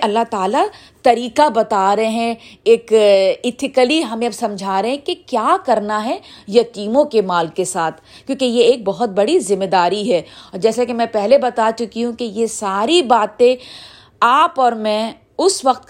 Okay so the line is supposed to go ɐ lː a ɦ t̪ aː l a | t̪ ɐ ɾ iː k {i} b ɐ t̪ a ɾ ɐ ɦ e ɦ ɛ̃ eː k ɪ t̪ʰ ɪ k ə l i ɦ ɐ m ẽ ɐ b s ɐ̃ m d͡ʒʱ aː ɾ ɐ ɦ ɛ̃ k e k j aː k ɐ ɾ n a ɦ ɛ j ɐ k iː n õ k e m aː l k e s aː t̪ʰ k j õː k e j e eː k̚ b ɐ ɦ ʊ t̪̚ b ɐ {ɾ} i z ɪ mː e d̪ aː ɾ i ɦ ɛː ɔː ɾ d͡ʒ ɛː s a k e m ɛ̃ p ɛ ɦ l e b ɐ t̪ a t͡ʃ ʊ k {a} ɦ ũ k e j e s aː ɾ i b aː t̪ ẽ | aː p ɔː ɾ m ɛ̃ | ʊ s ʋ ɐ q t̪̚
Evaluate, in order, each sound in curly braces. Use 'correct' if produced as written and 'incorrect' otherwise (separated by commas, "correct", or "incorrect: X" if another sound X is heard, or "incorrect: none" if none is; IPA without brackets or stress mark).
incorrect: a, incorrect: ɽ, incorrect: i